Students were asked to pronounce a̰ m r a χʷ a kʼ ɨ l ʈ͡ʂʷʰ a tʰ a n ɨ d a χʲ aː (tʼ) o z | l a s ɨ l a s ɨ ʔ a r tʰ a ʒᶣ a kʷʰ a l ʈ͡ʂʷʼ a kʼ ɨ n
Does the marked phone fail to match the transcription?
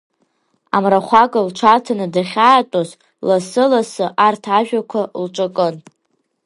no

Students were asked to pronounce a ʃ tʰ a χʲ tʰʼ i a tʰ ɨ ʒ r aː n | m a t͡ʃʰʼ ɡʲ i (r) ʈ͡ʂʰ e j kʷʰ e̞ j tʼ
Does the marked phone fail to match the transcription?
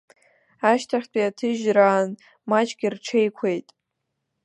no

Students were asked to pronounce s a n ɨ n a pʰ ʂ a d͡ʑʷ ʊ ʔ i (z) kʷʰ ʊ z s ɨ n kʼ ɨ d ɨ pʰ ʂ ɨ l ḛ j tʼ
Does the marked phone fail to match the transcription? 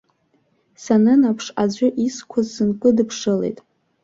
yes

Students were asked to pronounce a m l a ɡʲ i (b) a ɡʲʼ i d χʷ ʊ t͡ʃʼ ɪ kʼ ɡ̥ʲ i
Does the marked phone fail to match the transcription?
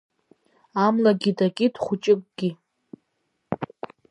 yes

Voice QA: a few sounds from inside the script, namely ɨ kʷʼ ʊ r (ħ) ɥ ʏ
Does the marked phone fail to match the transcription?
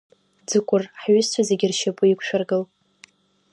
no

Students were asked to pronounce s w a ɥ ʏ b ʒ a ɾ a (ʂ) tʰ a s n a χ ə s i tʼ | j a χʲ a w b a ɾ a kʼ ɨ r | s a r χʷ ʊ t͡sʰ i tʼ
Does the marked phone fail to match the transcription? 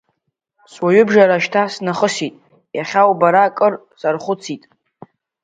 yes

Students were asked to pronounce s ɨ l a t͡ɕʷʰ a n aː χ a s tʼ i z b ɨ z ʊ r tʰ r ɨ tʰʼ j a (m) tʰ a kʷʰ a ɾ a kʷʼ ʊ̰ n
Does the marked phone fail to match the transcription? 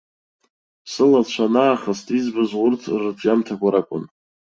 no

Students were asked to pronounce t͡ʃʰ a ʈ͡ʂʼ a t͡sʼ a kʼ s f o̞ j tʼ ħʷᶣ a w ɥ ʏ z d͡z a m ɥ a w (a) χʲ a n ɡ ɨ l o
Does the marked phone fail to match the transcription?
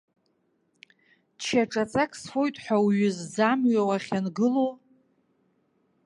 no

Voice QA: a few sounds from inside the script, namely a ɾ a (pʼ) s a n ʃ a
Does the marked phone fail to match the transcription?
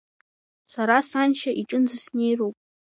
yes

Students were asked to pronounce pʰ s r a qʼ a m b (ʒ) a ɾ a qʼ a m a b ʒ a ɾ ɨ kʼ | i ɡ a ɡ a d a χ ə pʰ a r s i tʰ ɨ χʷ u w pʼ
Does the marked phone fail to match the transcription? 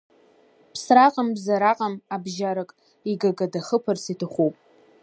yes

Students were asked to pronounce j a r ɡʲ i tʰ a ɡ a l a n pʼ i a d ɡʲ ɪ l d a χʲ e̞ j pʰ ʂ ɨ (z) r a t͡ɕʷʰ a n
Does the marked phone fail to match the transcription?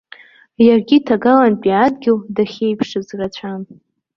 no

